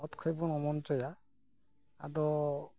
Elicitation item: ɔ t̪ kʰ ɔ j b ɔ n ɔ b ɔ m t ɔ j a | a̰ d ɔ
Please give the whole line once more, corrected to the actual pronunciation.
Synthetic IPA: ɔ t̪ kʰ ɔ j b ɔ n ɔ m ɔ n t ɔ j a | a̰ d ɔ